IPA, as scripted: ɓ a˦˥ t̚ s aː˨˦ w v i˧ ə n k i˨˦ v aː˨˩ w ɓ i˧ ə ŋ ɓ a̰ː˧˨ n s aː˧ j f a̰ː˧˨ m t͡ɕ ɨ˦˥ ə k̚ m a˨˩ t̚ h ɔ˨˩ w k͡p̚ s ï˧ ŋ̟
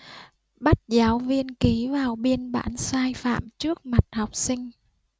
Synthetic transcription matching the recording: ɓ a˦˥ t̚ z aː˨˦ w v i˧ ə n k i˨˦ v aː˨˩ w ɓ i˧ ə n ɓ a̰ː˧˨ n s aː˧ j f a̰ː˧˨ m t͡ɕ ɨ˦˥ ə k̚ m a˨˩ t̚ h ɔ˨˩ w k͡p̚ s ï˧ ŋ̟

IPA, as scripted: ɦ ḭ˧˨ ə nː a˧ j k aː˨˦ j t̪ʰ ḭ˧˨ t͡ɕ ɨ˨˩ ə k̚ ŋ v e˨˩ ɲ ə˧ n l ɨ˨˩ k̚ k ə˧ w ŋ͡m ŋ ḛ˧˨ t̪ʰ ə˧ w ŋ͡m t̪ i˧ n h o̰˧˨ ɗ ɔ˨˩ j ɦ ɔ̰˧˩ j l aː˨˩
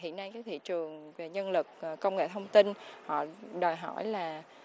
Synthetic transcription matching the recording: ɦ ḭ˧˨ ə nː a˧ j k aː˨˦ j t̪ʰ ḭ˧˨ t͡ɕ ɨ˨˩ ə ŋ v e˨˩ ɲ ə˧ n l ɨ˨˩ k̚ k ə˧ w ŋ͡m ŋ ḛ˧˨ t̪ʰ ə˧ w ŋ͡m t̪ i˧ n h ɔ̰˧˨ ɗ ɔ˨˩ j ɦ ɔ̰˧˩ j l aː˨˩

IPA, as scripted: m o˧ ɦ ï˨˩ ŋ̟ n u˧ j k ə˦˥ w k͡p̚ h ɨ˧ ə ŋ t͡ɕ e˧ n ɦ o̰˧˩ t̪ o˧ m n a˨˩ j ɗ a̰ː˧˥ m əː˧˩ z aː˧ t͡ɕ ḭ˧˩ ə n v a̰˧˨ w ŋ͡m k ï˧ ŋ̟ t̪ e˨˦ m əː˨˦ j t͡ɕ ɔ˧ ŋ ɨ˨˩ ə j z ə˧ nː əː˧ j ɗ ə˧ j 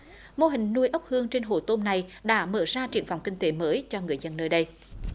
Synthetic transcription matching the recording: m o˧ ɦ ï˨˩ ŋ̟ n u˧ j ʔ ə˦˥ w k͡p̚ h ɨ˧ ə ŋ t͡ɕ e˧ n ɦ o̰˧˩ t̪ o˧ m n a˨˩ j ɗ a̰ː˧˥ m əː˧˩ z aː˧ t͡ɕ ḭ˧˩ ə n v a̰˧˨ w ŋ͡m k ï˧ ŋ̟ t̪ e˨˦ m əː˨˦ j t͡ɕ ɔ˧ ŋ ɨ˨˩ ə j z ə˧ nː əː˧ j ɗ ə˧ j

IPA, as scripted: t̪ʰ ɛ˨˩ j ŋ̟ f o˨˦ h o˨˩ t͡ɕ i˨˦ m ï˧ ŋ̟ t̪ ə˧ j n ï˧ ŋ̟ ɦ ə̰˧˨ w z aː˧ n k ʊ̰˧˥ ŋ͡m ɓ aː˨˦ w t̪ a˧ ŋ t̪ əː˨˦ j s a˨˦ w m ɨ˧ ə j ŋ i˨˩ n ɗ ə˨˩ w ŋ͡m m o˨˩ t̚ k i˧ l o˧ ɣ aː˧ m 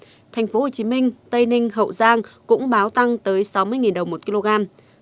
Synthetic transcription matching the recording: t̪ʰ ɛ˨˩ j ŋ̟ f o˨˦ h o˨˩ t͡ɕ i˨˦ m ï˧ ŋ̟ t̪ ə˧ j n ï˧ ŋ̟ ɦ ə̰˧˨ w z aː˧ ŋ k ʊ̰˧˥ ŋ͡m ɓ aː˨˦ w t̪ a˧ ŋ t̪ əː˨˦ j s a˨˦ w m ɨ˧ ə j ŋ i˨˩ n ɗ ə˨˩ w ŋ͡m m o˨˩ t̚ k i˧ l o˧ ɣ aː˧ m

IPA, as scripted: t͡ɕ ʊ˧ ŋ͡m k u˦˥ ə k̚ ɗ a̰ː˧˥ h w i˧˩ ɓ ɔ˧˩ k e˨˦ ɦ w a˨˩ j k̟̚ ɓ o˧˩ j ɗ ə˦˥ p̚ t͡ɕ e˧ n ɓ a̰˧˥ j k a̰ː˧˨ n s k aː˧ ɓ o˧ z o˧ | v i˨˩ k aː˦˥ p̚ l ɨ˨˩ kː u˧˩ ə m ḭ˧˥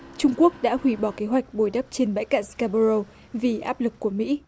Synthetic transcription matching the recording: t͡ɕ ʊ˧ ŋ͡m k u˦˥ ə k̚ ɗ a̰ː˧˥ h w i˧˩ ɓ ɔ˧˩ k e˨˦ ɦ w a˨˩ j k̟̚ ɓ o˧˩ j ɗ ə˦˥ p̚ t͡ɕ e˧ n ɓ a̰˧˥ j k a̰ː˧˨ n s k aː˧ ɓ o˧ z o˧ | v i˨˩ ʔ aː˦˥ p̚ l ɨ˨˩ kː u˧˩ ə m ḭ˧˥

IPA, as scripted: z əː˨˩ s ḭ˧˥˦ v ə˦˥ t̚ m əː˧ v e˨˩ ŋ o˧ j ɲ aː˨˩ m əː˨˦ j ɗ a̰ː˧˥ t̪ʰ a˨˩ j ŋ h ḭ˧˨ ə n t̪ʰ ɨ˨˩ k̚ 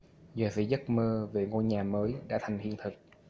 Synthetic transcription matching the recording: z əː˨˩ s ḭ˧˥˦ z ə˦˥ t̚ m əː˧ v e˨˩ ŋ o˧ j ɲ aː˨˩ m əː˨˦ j ɗ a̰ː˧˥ t̪ʰ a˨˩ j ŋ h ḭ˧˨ ə n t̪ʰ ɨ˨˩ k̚

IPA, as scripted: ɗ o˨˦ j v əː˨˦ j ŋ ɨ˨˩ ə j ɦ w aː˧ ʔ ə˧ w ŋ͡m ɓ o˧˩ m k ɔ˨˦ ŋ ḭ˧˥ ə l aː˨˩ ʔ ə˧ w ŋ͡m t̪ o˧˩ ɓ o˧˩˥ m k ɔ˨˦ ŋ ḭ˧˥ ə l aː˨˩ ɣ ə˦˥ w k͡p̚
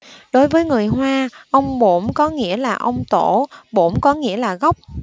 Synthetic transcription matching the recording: ɗ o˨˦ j v əː˨˦ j ŋ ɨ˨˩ ə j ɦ w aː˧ ʔ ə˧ w ŋ͡m ɓ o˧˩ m k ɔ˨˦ ŋ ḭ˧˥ ə l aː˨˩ ʔ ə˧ w ŋ͡m t̪ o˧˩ ɓ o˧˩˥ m k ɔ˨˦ ŋ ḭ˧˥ ə l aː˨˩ ɣ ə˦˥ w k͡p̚

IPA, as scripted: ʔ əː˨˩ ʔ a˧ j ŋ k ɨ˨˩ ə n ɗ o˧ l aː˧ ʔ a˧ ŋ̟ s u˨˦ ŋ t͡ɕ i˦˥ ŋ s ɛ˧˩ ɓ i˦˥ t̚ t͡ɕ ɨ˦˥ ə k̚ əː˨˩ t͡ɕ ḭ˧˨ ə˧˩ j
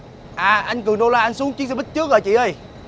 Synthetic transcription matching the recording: ʔ aː˨˩ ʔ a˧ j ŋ k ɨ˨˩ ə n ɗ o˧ l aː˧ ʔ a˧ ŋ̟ s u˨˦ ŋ t͡ɕ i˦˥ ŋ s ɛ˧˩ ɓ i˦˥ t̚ t͡ɕ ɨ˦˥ ə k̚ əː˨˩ t͡ɕ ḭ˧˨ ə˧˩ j

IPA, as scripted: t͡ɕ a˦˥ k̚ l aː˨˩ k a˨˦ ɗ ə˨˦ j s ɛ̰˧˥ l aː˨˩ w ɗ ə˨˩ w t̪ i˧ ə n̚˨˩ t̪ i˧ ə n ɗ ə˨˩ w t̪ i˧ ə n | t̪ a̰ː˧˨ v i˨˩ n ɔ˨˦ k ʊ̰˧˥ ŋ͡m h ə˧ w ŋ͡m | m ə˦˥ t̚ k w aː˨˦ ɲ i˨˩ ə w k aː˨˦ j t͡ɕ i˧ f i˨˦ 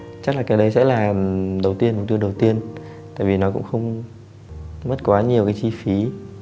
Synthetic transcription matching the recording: t͡ɕ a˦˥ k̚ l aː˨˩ k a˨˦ ɗ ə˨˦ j s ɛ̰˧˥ l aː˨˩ ɗ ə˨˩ w t̪ i˧ ə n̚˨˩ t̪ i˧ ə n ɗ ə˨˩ w t̪ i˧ ə n | t̪ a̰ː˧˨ v i˨˩ n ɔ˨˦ k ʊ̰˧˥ ŋ͡m x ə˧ w ŋ͡m | m ə˦˥ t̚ k w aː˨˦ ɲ i˨˩ ə w k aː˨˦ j t͡ɕ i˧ f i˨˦

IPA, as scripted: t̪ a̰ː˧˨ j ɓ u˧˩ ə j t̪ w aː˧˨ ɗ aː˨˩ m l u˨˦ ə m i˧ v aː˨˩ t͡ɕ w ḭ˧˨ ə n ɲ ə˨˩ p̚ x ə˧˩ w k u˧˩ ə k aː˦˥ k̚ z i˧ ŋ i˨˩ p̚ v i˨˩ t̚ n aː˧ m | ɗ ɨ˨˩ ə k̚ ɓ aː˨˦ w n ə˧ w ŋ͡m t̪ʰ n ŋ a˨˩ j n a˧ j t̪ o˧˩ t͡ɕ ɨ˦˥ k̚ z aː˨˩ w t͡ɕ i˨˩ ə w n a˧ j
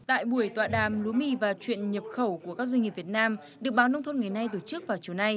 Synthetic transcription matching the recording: t̪ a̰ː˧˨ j ɓ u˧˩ ə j t̪ w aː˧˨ ɗ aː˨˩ m l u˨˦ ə m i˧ v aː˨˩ t͡ɕ w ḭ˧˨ ə n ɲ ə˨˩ p̚ x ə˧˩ w k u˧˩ ə k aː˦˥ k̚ z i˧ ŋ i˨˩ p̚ v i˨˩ t̚ n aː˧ m | ɗ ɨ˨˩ ə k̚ ɓ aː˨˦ w n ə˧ w ŋ͡m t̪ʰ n ŋ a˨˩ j n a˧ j t̪ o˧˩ t͡ɕ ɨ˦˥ k̚ v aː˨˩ w t͡ɕ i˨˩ ə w n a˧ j

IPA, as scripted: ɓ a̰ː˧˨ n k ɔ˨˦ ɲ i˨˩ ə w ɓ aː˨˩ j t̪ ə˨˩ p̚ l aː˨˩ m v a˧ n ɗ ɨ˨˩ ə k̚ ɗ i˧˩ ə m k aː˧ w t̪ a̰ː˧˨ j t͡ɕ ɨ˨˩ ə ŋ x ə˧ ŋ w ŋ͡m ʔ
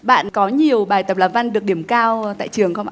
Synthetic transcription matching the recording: ɓ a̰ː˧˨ n k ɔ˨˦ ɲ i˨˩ ə w ɓ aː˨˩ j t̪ ə˨˩ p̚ l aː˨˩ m v a˧ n ɗ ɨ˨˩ ə k̚ ɗ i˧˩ ə m k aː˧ w t̪ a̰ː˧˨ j t͡ɕ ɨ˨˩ ə ŋ x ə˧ w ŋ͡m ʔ

